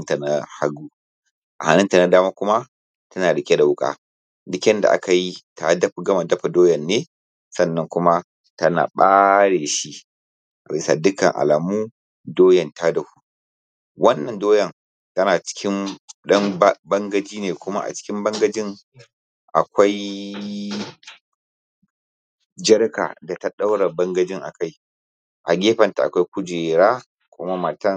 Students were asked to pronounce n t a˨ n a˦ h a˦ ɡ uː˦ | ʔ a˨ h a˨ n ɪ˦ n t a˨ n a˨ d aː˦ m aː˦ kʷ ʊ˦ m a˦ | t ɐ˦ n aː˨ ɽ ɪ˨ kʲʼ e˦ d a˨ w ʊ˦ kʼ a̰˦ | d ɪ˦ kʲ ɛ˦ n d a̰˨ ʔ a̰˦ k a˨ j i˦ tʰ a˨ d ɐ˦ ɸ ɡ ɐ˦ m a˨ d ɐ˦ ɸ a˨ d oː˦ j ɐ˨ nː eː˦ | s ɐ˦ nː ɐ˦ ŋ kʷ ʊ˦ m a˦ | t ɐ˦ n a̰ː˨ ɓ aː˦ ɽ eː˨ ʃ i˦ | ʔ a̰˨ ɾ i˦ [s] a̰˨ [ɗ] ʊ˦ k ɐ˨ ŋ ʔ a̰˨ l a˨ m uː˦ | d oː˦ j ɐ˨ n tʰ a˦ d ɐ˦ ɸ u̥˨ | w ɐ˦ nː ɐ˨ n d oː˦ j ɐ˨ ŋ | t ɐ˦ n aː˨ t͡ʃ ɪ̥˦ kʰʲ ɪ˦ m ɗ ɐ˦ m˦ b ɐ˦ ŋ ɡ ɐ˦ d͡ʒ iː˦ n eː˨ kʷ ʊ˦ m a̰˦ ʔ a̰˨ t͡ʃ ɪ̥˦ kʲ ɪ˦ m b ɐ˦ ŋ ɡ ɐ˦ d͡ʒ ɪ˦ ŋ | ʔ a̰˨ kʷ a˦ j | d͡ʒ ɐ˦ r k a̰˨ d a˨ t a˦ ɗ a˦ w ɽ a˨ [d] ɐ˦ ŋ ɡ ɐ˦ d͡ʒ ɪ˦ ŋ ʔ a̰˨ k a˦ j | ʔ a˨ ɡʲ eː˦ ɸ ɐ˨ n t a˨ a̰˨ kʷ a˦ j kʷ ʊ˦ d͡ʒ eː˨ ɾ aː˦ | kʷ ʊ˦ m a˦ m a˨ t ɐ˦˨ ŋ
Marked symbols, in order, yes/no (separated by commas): yes, no, no